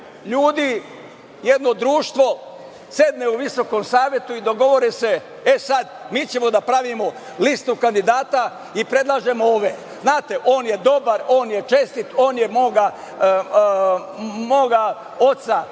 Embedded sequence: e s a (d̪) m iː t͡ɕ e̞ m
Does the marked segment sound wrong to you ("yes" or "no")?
no